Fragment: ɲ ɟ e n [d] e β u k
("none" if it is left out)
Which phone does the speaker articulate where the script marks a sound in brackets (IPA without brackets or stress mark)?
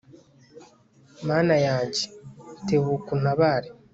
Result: t